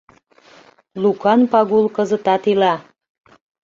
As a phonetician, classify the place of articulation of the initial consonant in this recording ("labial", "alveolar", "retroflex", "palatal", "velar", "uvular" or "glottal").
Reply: alveolar